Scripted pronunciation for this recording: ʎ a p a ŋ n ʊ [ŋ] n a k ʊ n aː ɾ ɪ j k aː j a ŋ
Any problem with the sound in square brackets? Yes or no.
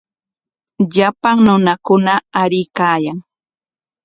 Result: yes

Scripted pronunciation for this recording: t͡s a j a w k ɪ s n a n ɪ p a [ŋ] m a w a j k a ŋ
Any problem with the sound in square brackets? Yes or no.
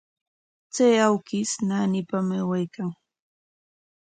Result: yes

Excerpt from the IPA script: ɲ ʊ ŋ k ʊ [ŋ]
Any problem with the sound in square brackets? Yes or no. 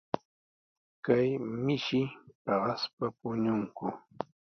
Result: yes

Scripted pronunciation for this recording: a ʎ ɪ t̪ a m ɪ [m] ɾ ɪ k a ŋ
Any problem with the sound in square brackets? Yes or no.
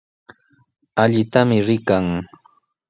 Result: yes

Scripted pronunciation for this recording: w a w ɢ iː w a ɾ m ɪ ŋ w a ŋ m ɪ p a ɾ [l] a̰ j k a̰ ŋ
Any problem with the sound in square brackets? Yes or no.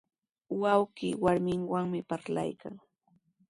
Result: no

